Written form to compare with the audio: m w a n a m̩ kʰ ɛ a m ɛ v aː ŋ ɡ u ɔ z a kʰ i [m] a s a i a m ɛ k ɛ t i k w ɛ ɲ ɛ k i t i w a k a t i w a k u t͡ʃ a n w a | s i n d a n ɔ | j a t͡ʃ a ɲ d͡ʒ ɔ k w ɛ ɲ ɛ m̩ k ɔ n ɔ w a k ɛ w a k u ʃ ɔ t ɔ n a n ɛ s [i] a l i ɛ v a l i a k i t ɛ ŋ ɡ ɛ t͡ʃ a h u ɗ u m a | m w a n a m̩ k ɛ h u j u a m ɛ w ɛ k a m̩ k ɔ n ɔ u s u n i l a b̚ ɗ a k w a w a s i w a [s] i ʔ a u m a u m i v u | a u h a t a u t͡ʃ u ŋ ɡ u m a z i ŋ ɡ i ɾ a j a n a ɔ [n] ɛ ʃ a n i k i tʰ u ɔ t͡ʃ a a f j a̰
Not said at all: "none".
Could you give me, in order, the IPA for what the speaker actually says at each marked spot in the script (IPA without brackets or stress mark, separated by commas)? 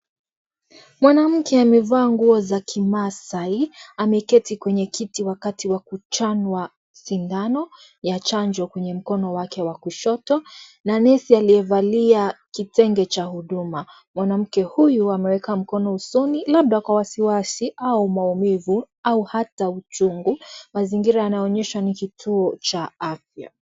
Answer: m, i, s, ɲ